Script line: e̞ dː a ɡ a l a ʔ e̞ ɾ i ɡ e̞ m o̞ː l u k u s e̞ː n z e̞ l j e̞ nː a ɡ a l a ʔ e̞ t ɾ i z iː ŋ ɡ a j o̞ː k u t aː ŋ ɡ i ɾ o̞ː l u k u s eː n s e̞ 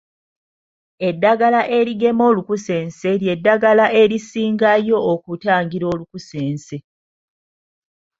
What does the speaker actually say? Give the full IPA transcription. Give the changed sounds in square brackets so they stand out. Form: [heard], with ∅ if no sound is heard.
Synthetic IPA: e̞ dː a ɡ a l a ʔ e̞ ɾ i ɡ e̞ m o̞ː l u k u s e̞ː n [s] e̞ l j e̞ [dː] a ɡ a l a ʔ e̞ [∅] ɾ i [s] iː ŋ ɡ a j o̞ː k u t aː ŋ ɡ i ɾ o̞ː l u k u s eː n s e̞